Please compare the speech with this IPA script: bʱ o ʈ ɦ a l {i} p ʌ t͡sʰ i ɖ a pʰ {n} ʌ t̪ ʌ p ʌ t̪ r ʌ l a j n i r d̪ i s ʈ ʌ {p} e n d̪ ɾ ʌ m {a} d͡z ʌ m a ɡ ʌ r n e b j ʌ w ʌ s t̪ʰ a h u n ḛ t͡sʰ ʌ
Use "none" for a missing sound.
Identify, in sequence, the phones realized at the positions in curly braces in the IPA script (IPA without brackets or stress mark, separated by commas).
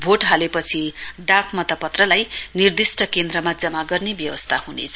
e, m, k, a